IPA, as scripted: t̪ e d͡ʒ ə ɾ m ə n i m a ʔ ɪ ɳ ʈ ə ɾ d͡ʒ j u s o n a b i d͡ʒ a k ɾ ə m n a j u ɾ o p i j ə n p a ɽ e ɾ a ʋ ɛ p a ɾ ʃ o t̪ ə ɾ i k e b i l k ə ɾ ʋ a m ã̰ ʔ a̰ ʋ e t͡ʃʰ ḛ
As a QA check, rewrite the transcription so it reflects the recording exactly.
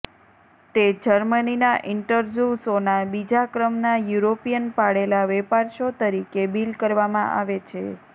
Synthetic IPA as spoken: t̪ e d͡ʒ ə ɾ m ə n i n a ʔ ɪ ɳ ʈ ə ɾ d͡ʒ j u s o n a b i d͡ʒ a k ɾ ə m n a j u ɾ o p i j ə n p a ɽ e l a ʋ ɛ p a ɾ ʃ o t̪ ə ɾ i k e b i l k ə ɾ ʋ a m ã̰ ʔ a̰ ʋ e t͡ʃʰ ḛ